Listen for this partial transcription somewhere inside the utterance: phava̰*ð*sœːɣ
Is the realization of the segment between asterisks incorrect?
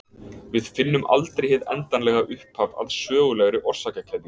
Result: no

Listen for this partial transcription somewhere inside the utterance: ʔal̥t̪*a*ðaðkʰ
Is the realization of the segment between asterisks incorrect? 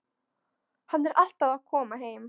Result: no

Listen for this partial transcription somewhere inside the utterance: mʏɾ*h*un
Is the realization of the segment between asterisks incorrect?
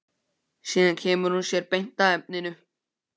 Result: no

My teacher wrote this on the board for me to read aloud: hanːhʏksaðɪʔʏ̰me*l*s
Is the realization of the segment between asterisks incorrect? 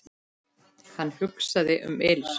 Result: no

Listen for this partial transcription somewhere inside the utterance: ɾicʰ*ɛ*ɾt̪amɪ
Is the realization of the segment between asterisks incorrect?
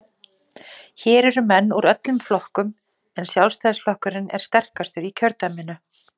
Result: yes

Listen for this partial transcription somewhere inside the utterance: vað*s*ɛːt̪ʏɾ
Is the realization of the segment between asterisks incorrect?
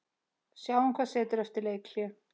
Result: no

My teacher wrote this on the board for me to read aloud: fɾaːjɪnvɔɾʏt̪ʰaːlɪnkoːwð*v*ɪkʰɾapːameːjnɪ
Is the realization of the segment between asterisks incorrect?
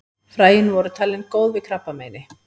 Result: no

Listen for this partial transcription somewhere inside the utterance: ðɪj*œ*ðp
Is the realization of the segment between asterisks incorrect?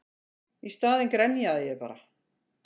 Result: yes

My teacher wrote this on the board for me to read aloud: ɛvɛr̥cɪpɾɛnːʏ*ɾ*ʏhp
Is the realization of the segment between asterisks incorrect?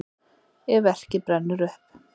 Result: no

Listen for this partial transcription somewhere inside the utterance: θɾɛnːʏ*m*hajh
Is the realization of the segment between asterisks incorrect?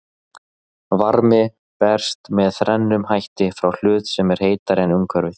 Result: no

